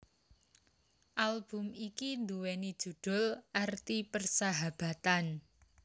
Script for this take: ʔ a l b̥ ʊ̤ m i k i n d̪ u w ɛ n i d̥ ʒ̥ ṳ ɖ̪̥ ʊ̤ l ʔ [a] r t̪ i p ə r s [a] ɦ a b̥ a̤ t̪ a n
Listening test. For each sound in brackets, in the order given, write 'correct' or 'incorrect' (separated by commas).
correct, correct